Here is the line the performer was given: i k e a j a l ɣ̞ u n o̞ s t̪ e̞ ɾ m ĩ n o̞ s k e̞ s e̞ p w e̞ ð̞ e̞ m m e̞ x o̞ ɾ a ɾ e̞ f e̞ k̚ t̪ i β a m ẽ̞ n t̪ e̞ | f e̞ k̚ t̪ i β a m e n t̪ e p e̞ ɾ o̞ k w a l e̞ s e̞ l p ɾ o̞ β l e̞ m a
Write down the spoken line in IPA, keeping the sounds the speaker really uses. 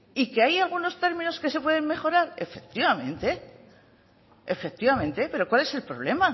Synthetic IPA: i k e a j a l ɣ̞ u n o̞ s t̪ e̞ ɾ m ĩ n o̞ s k e̞ s e̞ p w e̞ ð̞ e̞ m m e̞ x o̞ ɾ a ɾ e̞ f e̞ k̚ t̪ i β a m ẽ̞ n t̪ e̞ | f e̞ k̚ t̪ i β a m ẽ n t̪ e p e̞ ɾ o̞ k w a l e̞ s e̞ l p ɾ o̞ β l e̞ m a